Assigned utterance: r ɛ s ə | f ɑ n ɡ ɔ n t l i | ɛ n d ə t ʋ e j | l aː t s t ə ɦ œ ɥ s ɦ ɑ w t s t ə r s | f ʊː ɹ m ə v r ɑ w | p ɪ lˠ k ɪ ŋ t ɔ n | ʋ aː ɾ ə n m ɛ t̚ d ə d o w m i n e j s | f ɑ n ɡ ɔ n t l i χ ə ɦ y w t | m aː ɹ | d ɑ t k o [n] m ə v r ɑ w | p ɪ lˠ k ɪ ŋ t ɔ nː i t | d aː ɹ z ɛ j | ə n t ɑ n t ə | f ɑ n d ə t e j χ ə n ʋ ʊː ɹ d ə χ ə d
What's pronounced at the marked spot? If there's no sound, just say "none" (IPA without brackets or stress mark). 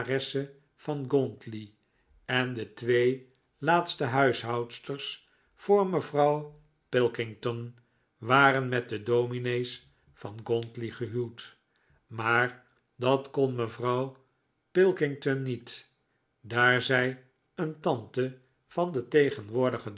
n